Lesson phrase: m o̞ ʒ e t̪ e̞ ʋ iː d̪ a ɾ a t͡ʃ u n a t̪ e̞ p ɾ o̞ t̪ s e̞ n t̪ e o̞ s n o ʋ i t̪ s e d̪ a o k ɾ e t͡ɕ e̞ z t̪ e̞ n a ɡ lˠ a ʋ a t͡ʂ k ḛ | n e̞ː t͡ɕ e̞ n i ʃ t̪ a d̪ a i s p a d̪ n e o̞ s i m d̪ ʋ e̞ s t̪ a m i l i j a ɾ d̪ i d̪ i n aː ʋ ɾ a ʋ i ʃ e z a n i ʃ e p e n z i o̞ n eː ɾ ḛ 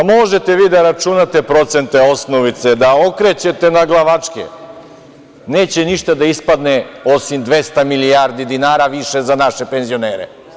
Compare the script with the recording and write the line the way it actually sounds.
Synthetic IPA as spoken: m o̞ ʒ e t̪ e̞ ʋ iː d̪ a ɾ a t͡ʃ u n a t̪ e̞ p ɾ o̞ t̪ s e̞ n t̪ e o̞ s n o ʋ i t̪ s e d̪ a o k ɾ e t͡ɕ e̞ t̪ e̞ n a ɡ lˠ a ʋ a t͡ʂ k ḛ | n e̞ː t͡ɕ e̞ n i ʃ t̪ a d̪ a i s p a d̪ n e o̞ s i m d̪ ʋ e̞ s t̪ a m i l i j a ɾ d̪ i d̪ i n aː ɾ a ʋ i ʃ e z a n a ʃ e p e n z i o̞ n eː ɾ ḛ